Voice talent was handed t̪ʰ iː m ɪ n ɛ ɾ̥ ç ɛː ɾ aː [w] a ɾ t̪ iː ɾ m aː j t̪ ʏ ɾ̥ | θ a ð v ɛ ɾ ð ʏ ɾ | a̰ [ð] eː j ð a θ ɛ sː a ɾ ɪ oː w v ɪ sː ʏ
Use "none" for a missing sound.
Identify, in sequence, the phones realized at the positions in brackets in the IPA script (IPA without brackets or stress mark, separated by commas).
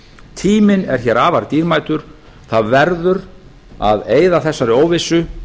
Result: v, ð